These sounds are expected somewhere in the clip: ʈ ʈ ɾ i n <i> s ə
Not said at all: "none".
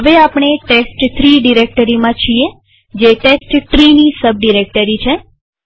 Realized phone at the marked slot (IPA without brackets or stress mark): i